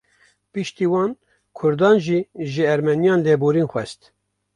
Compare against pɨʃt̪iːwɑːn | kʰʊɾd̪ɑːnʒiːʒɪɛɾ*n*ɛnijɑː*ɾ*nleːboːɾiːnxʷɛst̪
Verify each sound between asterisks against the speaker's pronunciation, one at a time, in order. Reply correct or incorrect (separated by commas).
incorrect, incorrect